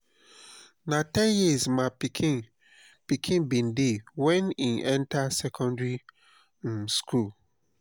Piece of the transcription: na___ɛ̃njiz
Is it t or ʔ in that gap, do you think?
t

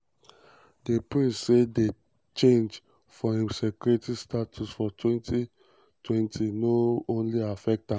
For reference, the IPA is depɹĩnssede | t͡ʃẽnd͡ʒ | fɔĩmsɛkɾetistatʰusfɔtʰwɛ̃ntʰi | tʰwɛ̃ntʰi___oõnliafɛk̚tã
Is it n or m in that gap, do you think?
n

